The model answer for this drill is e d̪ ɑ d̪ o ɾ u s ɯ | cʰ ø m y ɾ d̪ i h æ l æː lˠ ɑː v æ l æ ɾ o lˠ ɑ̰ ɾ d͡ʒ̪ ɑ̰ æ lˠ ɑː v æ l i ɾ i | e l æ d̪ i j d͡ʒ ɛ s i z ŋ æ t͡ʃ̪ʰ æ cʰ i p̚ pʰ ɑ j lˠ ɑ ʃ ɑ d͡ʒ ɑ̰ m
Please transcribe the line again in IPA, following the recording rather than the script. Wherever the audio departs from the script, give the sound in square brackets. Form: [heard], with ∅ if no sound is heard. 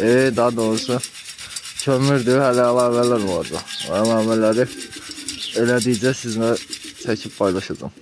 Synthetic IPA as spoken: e d̪ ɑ d̪ o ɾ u s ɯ | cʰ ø m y ɾ d̪ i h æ l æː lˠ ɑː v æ l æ ɾ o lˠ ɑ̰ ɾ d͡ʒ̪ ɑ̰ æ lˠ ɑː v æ l [æ] ɾ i | e l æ d̪ i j d͡ʒ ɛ s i z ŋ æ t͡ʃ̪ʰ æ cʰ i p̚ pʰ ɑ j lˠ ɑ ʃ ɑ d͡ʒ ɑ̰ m